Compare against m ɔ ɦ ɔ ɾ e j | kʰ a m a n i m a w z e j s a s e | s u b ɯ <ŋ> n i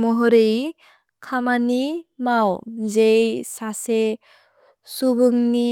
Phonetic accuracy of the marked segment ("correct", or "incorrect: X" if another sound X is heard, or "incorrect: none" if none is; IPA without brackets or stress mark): correct